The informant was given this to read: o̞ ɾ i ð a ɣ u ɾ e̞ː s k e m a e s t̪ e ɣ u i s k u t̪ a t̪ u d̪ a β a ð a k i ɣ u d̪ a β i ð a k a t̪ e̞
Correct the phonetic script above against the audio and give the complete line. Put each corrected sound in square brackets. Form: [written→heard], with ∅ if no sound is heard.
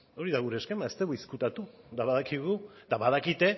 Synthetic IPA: o̞ ɾ i ð a ɣ u ɾ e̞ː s k e m a e s t̪ e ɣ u i s k u t̪ a t̪ u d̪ a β a ð a k i ɣ u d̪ a β [i→a] ð a k [a→i] t̪ e̞